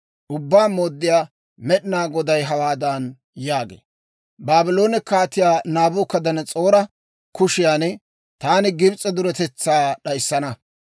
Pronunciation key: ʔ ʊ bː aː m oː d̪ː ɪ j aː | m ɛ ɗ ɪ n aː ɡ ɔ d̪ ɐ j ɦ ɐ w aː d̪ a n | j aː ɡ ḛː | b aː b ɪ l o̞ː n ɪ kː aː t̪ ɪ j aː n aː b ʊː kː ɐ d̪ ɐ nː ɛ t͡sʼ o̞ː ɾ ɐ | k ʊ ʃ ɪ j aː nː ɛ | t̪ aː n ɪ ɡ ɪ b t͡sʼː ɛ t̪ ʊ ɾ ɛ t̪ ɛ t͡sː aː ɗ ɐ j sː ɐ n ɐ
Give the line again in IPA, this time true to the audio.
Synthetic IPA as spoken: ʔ ʊ bː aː m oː d̪ː ɪ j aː | m ɛ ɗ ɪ n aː ɡ ɔ d̪ ɐ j ɦ ɐ w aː d̪ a n | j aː ɡ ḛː | b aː b ɪ l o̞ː n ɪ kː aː t̪ ɪ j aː n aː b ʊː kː ɐ d̪ ɐ n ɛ t͡sʼ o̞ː ɾ ɐ | k ʊ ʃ ɪ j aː n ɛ | t̪ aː n ɪ ɡ ɪ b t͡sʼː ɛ d̪ ʊ ɾ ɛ t̪ ɛ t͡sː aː ɗ ɐ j sː ɐ n ɐ